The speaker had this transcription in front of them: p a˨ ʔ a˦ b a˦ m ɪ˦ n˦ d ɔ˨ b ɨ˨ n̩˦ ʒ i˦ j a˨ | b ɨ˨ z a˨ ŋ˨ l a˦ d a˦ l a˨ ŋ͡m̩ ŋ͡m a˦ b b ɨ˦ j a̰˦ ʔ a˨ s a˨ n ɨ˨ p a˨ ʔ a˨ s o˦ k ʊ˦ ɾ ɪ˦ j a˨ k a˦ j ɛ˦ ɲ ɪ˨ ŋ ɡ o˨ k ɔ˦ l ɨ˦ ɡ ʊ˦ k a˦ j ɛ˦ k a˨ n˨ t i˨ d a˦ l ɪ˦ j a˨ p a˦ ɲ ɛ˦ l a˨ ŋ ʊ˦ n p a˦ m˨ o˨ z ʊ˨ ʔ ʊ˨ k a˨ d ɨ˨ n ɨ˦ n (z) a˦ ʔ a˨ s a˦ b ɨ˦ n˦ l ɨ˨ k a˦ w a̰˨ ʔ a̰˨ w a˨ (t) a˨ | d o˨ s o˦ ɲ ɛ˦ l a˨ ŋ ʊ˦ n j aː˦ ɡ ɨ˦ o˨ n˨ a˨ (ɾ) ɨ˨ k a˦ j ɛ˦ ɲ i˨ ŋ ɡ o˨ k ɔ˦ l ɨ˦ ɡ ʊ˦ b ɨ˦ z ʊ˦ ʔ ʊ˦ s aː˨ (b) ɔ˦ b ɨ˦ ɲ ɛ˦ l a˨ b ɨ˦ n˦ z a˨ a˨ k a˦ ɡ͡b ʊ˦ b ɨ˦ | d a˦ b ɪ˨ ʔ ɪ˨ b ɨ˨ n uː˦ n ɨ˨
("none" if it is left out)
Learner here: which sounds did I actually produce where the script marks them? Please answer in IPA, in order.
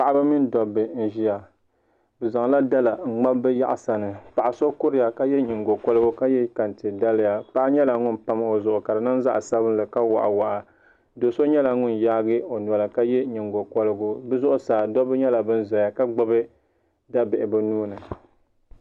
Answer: z, ʔ, l, d

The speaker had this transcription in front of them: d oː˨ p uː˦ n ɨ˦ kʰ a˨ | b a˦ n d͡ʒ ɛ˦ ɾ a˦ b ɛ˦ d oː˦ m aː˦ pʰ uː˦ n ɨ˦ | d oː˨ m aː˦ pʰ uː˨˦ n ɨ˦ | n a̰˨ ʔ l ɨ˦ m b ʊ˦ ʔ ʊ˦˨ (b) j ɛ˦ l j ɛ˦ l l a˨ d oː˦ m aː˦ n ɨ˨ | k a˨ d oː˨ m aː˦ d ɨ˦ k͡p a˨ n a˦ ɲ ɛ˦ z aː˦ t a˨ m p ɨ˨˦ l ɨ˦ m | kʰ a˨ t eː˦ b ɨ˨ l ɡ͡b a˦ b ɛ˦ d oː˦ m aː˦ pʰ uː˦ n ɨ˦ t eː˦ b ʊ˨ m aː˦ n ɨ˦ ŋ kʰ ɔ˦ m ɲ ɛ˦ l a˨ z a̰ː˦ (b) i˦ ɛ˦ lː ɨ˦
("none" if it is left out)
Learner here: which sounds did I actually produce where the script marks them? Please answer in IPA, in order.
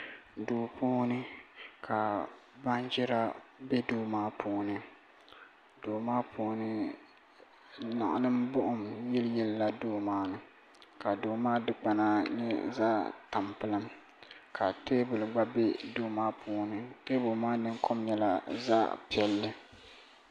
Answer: m, p

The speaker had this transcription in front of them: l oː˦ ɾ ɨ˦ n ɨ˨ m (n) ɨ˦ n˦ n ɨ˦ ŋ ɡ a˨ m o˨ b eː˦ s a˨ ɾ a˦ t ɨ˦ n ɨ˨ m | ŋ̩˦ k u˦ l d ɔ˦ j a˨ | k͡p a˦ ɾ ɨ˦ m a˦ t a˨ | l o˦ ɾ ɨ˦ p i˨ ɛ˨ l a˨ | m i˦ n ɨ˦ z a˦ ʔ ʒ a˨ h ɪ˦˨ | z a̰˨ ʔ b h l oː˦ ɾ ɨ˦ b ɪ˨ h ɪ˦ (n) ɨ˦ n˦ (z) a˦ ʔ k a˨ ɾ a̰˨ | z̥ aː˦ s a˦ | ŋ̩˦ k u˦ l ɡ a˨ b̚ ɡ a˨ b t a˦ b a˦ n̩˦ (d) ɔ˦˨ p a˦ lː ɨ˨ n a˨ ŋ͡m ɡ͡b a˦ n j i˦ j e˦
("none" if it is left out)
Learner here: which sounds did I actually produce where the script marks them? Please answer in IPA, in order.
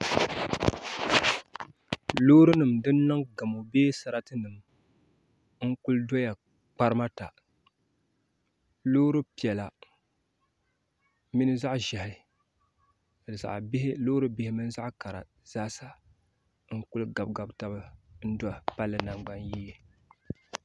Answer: d, m, z, d

